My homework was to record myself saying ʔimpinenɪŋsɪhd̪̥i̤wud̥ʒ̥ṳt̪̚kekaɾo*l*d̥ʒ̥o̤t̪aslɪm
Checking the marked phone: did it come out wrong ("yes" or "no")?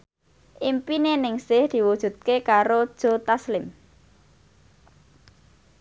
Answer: yes